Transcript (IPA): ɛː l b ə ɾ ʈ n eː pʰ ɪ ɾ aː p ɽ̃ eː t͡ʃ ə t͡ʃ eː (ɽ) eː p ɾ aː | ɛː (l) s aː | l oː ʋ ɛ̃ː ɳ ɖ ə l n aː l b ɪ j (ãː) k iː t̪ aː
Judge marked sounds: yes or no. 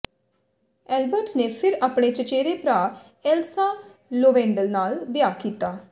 no, yes, no

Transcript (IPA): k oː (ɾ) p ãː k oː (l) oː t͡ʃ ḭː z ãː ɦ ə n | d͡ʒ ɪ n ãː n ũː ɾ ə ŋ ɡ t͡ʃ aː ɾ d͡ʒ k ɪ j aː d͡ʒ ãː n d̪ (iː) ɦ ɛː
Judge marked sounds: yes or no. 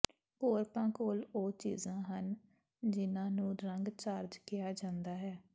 yes, yes, no

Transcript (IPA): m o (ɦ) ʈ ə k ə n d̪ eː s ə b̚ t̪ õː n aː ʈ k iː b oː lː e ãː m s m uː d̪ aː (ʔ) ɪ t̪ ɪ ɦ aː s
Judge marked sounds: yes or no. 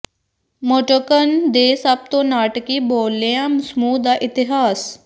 no, yes

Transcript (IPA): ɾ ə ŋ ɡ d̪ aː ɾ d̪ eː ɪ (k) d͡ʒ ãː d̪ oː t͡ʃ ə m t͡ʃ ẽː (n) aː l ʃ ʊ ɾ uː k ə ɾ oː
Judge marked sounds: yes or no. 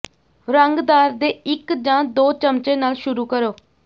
yes, yes

